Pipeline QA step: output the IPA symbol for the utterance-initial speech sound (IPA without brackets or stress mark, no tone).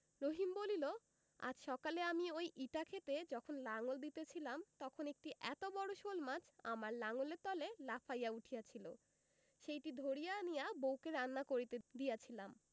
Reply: ɾ